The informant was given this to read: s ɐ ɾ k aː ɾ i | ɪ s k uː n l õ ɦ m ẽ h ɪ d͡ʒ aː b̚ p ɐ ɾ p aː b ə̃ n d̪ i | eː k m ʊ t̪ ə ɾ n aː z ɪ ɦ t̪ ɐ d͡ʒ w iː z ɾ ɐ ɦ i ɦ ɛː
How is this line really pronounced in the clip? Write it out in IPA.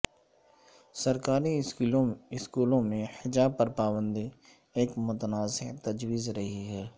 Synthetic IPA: s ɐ ɾ k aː ɾ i | ɪ s k uː l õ m ẽ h ɪ d͡ʒ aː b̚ p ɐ ɾ p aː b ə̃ n d̪ i | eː k m ʊ t̪ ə n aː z ɪ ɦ t̪ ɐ d͡ʒ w iː z ɾ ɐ ɦ i ɦ ɛː